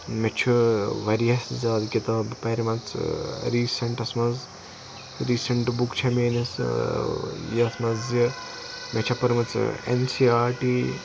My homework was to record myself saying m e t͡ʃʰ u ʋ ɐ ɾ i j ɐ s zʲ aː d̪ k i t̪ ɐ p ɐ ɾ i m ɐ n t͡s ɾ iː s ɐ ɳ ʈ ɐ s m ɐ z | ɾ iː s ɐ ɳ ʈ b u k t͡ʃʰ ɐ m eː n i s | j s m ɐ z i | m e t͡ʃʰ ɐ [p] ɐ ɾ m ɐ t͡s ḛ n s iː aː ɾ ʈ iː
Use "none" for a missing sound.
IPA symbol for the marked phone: p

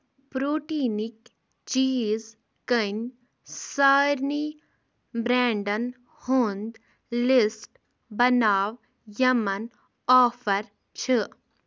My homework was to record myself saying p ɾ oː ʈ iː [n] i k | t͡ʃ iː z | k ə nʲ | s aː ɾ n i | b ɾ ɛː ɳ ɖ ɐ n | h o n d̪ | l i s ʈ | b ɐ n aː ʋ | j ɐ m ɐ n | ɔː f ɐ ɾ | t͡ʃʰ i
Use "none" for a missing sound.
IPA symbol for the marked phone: n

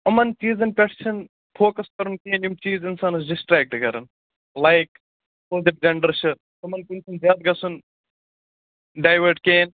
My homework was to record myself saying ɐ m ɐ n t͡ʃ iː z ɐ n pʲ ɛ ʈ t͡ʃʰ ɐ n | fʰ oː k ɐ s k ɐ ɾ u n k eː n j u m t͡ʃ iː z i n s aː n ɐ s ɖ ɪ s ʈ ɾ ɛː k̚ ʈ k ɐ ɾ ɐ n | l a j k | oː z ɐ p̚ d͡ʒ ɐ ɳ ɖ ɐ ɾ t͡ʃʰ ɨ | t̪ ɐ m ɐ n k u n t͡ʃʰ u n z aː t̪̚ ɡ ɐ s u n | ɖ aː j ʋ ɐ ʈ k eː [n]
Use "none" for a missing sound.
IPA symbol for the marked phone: n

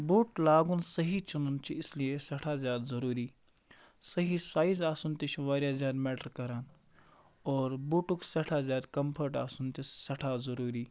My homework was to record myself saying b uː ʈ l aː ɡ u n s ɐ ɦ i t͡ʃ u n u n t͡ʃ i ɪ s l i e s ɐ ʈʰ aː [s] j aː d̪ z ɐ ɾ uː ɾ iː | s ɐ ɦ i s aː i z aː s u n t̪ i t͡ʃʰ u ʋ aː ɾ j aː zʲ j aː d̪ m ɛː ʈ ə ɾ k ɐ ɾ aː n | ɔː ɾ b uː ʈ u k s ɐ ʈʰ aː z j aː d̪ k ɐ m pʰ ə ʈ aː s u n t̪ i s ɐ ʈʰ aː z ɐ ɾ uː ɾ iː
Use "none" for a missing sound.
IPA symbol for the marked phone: z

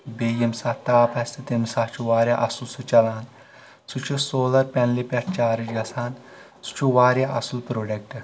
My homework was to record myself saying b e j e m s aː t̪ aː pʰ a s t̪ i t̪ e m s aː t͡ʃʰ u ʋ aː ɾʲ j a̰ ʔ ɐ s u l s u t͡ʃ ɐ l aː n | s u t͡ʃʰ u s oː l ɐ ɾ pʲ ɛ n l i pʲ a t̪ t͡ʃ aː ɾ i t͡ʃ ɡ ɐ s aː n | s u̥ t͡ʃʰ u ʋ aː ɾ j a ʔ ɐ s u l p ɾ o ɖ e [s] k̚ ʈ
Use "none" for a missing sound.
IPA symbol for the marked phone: none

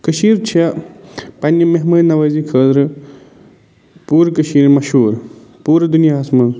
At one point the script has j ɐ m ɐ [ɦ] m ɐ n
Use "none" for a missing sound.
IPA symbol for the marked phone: ɦ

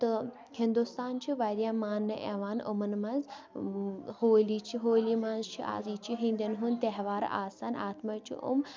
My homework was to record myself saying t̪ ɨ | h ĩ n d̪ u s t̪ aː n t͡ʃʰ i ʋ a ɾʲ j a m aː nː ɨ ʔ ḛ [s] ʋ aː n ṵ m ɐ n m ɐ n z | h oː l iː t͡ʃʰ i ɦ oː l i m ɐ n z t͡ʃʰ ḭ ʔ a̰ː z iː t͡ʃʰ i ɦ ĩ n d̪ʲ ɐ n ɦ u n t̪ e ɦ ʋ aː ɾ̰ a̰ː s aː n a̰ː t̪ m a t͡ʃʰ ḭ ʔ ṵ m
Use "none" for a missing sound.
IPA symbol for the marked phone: none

